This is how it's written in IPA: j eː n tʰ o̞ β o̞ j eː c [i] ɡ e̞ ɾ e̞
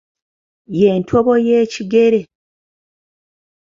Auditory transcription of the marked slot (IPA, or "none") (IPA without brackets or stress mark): i